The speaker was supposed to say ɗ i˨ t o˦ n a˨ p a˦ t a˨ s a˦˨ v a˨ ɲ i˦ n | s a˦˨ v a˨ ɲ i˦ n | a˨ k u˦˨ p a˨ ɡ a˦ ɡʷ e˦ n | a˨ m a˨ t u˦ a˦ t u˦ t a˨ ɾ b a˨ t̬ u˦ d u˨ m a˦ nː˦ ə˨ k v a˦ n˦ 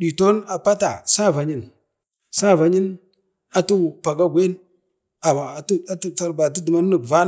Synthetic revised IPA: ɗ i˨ t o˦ n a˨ p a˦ t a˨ s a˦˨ v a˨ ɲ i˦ n | s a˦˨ v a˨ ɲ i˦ n | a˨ t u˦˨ p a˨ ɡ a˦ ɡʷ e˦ n | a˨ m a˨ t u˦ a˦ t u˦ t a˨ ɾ b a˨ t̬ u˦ d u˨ m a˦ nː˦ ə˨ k v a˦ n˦